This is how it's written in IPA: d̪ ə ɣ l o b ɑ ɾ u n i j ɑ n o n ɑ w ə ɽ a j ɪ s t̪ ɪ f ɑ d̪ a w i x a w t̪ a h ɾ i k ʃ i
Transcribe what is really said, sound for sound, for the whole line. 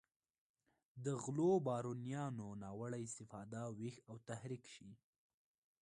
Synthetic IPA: d̪ ə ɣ l o b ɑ ɾ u n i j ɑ n o n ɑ w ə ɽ a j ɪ s t̪ ɪ f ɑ d̪ a w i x a w t̪ a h ɾ i k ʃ i